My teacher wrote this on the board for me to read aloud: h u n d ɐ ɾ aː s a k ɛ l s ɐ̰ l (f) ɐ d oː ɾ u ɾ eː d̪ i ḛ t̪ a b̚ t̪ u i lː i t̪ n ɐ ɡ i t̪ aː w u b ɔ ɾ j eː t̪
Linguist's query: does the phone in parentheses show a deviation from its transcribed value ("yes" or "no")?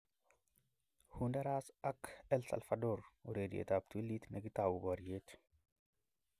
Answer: no